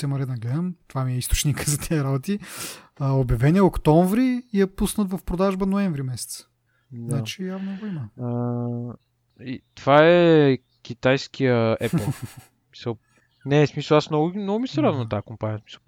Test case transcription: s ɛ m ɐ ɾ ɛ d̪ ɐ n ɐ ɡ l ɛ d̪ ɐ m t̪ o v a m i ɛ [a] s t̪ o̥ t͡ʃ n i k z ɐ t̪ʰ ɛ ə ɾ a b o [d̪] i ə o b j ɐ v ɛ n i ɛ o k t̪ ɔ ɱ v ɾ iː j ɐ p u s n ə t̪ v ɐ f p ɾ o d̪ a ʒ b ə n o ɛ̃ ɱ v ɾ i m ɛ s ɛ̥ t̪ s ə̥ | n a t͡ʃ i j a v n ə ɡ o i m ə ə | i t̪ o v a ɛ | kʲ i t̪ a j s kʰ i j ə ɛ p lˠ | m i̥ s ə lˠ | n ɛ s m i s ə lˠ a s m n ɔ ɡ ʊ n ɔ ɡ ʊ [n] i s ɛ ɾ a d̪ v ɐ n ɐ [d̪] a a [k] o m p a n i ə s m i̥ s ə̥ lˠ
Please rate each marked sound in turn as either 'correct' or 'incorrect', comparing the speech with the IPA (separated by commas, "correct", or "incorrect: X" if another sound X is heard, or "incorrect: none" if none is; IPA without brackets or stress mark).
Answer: incorrect: i, incorrect: t̪, incorrect: m, incorrect: t̪, correct